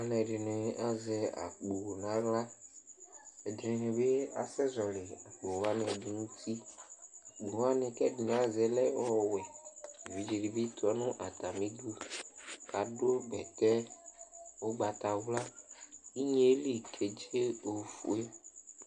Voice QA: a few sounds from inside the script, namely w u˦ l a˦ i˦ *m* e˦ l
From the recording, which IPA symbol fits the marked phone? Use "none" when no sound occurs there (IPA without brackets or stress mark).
ɲ